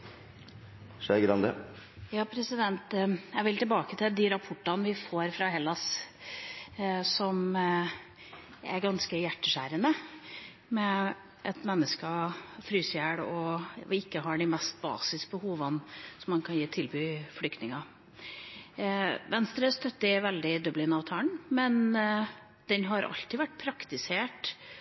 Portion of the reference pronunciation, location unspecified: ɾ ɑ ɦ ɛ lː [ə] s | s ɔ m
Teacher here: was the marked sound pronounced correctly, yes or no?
no